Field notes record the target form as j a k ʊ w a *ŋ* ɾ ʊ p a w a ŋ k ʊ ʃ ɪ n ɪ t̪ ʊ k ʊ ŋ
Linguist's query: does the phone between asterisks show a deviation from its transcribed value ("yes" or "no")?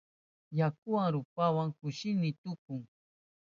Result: no